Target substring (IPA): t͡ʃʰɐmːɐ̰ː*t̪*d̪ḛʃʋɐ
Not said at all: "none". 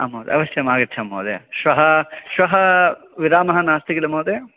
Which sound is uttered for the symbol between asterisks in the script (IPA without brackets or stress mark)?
none